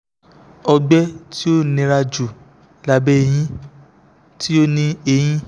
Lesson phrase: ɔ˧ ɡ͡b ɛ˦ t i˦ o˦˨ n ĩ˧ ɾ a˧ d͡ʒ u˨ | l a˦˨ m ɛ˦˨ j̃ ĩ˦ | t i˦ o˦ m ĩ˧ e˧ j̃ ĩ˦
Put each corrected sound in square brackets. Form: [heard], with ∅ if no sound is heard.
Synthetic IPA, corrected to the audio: ɔ˧ ɡ͡b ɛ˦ t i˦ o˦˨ n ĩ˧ ɾ a˧ d͡ʒ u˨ | l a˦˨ [b] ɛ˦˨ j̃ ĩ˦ | t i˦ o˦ [n] ĩ˧ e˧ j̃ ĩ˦